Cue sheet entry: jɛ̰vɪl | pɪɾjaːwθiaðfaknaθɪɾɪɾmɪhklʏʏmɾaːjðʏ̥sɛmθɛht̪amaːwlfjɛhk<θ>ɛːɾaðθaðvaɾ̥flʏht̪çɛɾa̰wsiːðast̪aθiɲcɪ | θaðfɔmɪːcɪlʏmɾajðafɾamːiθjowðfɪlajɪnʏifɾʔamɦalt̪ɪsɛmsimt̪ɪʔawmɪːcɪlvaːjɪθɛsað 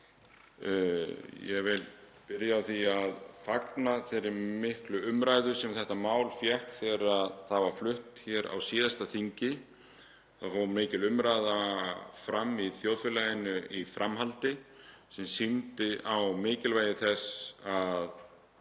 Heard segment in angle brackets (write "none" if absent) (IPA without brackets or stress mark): θ